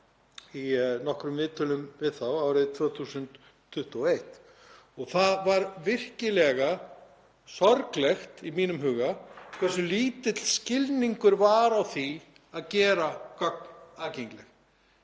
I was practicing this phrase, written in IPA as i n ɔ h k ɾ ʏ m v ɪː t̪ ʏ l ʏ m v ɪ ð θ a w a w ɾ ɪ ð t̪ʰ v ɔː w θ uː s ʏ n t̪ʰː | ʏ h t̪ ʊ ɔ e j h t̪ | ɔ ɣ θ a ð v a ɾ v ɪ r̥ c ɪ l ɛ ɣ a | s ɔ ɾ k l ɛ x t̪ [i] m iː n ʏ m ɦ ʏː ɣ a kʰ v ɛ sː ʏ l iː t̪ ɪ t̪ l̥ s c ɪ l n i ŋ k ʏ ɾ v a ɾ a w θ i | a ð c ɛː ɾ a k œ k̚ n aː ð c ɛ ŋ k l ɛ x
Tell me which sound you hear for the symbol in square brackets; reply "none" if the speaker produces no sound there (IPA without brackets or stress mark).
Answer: i